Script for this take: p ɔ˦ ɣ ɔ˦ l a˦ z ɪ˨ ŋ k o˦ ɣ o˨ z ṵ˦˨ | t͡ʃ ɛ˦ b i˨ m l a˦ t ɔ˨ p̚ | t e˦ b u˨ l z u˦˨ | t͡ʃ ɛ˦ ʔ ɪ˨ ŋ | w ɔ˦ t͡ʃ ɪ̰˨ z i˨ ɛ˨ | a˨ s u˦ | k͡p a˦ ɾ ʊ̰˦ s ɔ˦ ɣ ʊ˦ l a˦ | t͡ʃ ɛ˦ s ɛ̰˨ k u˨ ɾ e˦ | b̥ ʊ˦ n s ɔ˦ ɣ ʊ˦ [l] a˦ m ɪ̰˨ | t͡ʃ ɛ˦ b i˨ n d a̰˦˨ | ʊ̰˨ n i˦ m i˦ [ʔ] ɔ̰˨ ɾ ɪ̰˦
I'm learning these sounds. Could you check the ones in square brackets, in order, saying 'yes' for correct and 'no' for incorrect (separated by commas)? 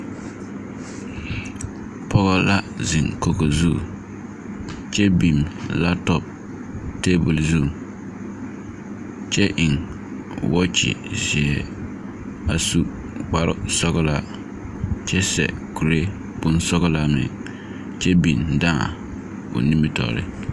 yes, no